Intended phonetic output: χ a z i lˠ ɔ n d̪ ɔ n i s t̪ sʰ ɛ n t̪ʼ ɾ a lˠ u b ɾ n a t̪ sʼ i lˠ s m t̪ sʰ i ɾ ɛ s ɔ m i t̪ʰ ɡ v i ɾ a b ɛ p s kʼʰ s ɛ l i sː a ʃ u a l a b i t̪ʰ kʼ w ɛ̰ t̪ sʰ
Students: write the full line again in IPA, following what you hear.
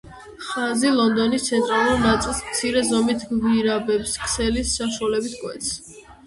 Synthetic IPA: χ a z i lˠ ɔ n d̪ ɔ n i s t̪ sʰ ɛ n t̪ʼ ɾ a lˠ u ɾ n a t̪ sʼ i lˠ s m t̪ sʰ i ɾ ɛ z ɔ m i t̪ʰ ɡ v i ɾ a b ɛ p s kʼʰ s ɛ l i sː a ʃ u a l ɛ b i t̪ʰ kʼ w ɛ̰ t̪ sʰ